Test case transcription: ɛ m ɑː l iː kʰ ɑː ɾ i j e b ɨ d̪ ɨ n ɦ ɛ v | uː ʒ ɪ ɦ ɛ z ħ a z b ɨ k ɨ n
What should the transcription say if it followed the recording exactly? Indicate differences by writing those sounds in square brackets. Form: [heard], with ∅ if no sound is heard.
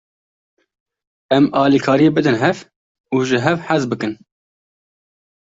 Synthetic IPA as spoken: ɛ m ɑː l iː kʰ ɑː ɾ i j e b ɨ d̪ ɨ n ɦ ɛ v | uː ʒ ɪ ɦ ɛ [v] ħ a z b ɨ k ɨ n

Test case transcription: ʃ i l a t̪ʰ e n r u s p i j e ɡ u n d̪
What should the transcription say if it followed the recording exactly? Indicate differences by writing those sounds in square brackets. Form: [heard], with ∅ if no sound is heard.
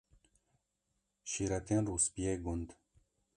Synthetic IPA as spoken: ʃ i [ɾ] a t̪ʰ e n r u s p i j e ɡ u n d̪

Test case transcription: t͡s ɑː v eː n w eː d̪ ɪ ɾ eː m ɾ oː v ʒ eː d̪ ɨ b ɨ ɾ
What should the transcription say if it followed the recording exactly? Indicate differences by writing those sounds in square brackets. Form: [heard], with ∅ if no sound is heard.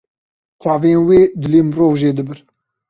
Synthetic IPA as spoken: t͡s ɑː v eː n w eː d̪ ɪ [l] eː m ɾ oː v ʒ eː d̪ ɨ b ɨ ɾ

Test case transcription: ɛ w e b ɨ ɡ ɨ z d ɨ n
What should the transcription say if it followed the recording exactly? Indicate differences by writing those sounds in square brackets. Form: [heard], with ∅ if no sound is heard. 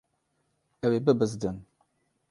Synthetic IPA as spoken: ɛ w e b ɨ [b] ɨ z d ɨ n

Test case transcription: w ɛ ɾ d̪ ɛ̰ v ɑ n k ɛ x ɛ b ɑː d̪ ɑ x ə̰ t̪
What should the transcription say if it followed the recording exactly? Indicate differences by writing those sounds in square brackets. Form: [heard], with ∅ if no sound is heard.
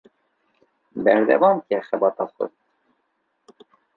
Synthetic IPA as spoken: [b] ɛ ɾ d̪ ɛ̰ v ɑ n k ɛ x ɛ b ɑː [t̪] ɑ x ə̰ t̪

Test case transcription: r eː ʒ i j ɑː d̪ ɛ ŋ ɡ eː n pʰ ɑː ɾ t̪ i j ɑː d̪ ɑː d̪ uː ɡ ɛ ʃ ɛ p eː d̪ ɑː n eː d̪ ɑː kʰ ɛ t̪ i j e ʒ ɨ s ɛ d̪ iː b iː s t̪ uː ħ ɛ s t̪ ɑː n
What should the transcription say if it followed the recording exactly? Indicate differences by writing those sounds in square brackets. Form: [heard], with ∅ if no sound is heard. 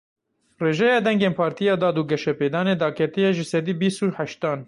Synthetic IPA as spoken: r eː ʒ [ɛ] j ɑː d̪ ɛ ŋ ɡ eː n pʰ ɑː ɾ t̪ i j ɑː d̪ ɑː d̪ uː ɡ ɛ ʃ ɛ p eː d̪ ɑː n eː d̪ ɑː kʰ ɛ t̪ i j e ʒ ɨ s ɛ d̪ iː b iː s t̪ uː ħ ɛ [ʃ] t̪ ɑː n

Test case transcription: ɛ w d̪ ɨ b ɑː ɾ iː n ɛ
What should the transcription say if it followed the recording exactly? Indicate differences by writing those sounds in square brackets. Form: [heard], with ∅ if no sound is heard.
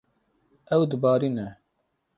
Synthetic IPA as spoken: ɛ w d̪ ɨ b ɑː ɾ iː n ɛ

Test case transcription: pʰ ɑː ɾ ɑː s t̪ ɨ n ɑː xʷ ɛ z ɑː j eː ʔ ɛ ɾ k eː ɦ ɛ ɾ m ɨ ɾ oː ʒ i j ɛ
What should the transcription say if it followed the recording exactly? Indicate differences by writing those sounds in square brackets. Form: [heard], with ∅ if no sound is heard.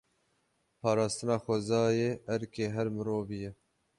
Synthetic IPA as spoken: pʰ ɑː ɾ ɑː s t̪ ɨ n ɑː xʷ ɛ z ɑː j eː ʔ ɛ ɾ k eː ɦ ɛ ɾ m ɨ ɾ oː [v] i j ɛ

